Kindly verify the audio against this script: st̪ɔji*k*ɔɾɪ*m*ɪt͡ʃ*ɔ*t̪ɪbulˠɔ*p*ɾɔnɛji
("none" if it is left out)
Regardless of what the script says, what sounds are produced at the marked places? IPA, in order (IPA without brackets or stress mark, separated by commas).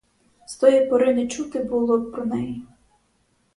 p, n, u, p